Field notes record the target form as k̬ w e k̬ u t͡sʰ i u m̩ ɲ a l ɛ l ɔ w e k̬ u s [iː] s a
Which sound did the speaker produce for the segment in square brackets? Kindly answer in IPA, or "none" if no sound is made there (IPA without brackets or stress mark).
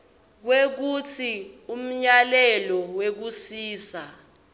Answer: iː